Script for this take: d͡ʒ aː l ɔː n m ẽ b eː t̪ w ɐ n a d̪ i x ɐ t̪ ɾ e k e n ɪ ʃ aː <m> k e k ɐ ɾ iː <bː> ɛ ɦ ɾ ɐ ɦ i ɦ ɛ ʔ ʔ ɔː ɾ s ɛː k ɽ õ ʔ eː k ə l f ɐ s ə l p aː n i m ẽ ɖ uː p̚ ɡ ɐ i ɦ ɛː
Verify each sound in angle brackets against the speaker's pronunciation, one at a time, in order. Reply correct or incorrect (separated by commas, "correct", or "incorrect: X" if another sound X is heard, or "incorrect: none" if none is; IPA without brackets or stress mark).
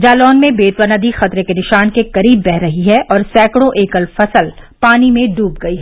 incorrect: n, correct